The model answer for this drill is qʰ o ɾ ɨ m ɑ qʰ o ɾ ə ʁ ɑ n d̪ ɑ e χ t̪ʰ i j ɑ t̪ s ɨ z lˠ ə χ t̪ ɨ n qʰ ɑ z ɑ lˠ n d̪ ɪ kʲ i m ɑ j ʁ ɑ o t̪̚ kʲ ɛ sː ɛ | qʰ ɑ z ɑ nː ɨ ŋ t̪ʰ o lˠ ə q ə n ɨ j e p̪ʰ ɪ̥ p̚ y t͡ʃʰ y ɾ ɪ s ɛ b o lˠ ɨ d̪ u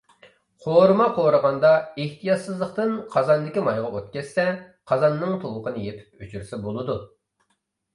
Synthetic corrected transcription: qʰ o ɾ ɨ m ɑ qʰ o ɾ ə ʁ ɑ n d̪ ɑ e h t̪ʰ i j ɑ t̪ s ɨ z lˠ ə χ t̪ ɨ n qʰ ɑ z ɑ n d̪ ɪ kʲ i m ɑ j ʁ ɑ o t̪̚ kʲ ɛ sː ɛ | qʰ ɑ z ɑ nː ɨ ŋ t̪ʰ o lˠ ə q ə n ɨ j e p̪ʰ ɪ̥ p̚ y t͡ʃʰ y ɾ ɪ s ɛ b o lˠ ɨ d̪ u